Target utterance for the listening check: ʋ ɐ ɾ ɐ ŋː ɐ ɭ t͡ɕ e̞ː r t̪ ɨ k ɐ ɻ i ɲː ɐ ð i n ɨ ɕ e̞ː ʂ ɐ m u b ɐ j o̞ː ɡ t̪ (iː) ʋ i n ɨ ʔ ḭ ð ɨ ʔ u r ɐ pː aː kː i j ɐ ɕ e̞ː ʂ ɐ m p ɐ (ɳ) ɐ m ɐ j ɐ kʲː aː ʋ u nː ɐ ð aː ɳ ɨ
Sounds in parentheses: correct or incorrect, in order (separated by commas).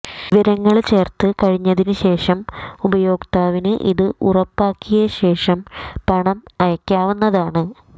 incorrect, correct